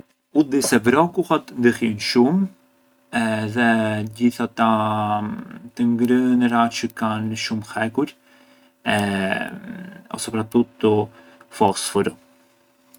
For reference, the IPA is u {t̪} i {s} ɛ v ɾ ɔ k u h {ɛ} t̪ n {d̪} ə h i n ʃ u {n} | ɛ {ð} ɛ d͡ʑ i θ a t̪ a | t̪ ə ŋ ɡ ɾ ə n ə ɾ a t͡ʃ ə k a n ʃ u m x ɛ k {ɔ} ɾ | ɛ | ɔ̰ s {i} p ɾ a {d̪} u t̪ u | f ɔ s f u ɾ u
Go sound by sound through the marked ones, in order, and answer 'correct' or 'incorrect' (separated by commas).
incorrect, correct, incorrect, correct, incorrect, correct, incorrect, incorrect, incorrect